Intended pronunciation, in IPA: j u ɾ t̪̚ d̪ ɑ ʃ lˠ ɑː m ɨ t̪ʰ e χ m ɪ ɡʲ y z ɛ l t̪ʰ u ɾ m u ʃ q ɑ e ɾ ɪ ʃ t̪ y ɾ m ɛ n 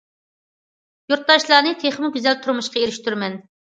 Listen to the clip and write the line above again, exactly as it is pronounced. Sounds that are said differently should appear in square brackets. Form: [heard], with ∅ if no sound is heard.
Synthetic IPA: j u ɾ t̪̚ d̪ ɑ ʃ lˠ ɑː [n] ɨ t̪ʰ e χ m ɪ ɡʲ y z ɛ l t̪ʰ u ɾ m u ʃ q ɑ e ɾ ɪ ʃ t̪ y ɾ m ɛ n